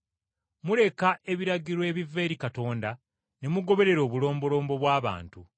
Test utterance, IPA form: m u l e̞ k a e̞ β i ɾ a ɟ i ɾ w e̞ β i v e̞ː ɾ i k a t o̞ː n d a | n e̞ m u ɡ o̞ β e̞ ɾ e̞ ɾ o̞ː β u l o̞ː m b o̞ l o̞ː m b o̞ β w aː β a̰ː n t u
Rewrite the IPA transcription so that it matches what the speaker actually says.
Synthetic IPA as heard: m u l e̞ k a e̞ β i ɾ a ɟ i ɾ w e̞ β i v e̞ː ɾ i k a t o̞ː n d a | n e̞ m u ɡ o̞ β e̞ ɾ e̞ ɾ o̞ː β u l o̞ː m b o̞ l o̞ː m b o̞ β w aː β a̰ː n t u